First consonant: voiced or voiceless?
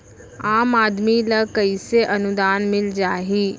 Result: voiced